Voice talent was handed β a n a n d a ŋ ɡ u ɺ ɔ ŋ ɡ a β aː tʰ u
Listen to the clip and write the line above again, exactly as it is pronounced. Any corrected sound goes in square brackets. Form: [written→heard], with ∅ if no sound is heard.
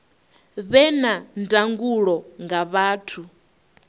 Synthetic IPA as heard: β [a→ɛ] n a n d a ŋ ɡ u ɺ ɔ ŋ ɡ a β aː tʰ u